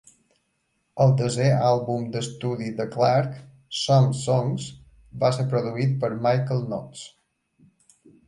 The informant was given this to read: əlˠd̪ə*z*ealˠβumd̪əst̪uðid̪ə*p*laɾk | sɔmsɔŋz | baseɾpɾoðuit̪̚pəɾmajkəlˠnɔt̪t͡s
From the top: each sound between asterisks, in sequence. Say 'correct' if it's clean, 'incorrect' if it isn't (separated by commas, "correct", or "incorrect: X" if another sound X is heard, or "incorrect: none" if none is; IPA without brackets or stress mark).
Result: correct, incorrect: k